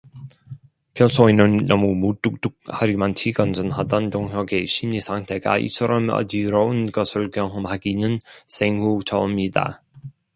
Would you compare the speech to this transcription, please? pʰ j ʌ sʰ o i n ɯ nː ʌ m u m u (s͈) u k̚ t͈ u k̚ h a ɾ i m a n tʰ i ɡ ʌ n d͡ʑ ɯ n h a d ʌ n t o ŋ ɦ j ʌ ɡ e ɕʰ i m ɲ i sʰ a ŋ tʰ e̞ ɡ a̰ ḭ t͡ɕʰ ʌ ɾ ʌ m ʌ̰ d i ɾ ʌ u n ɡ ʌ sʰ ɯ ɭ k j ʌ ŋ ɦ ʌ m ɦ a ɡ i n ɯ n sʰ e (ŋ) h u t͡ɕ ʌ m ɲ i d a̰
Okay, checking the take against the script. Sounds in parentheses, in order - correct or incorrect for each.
incorrect, correct

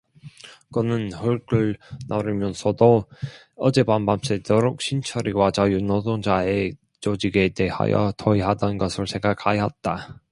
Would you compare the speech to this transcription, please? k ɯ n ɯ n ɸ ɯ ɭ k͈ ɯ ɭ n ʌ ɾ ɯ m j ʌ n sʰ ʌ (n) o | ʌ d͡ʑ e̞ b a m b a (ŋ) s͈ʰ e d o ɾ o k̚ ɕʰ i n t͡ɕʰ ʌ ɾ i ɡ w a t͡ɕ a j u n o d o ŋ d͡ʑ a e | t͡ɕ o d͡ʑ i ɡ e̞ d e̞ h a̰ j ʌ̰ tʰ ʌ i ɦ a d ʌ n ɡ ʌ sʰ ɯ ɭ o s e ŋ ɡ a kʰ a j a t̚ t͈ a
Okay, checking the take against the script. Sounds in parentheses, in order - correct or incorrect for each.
incorrect, incorrect

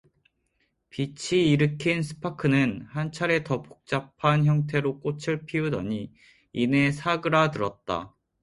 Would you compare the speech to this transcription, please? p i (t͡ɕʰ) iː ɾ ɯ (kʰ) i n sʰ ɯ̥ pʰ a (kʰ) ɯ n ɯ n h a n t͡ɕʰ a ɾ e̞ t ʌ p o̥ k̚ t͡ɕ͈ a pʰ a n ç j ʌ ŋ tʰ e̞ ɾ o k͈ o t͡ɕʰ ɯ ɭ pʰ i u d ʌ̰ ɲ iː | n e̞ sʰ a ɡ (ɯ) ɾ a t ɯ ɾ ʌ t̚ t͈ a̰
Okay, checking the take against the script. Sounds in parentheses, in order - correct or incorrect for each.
correct, correct, correct, correct

